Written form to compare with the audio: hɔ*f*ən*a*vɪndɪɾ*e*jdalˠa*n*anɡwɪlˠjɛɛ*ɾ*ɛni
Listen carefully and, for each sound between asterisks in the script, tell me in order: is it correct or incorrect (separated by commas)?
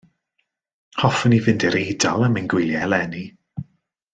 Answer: correct, incorrect, correct, incorrect, incorrect